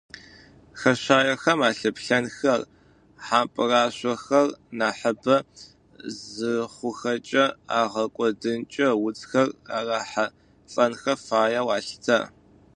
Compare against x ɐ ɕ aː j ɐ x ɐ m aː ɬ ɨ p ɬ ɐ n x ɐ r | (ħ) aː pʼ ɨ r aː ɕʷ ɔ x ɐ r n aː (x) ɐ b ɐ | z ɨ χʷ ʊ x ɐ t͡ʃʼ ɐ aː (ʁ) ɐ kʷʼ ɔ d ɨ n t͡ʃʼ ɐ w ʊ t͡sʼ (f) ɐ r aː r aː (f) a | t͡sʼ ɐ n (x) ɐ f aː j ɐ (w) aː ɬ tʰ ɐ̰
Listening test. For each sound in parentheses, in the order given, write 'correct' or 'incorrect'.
correct, incorrect: ħ, correct, incorrect: x, incorrect: ħ, correct, correct

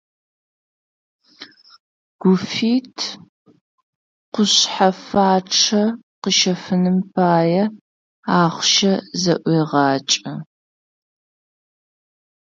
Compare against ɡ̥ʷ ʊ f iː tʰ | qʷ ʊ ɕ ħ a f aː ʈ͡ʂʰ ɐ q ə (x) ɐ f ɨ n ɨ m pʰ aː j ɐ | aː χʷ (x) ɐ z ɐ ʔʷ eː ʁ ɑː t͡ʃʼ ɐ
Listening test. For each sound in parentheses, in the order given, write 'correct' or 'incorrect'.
incorrect: ʃ, incorrect: ʃ

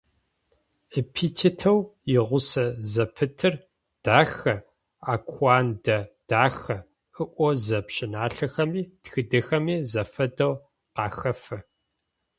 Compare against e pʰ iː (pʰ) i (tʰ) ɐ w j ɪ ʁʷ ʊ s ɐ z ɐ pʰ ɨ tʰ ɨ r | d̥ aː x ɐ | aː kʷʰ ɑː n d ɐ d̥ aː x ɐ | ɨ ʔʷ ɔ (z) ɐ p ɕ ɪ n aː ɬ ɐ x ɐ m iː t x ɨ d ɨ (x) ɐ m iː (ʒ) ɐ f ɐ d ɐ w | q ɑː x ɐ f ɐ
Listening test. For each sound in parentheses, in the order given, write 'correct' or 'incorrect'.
incorrect: tʰ, correct, correct, correct, incorrect: z

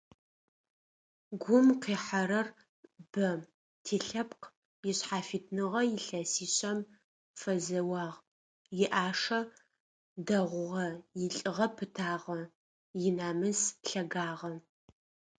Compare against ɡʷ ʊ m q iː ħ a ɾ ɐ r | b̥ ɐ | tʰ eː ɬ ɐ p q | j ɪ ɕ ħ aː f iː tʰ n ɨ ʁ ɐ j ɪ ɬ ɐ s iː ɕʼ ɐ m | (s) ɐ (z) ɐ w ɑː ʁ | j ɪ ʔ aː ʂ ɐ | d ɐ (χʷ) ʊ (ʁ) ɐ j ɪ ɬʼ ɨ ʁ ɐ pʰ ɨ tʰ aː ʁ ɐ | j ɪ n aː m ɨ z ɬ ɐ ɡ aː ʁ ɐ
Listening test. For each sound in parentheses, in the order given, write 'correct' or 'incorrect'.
incorrect: f, correct, incorrect: ʁʷ, correct

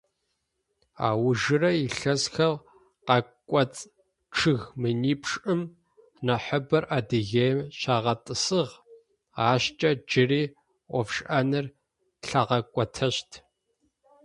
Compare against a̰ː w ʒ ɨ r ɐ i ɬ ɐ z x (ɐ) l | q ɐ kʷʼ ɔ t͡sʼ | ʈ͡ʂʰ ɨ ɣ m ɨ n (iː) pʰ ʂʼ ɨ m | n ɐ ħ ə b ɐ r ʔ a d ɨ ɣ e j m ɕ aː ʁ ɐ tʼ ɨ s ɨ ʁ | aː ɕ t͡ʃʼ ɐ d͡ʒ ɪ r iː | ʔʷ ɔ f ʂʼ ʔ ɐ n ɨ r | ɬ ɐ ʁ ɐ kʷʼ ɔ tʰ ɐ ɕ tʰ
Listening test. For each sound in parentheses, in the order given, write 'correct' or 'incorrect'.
correct, correct

